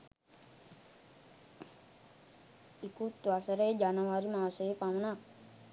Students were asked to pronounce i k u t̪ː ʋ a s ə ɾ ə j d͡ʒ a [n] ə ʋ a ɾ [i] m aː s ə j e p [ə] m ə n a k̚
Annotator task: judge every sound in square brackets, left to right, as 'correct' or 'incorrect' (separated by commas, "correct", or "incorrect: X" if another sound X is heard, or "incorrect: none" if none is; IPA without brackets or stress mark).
correct, correct, incorrect: a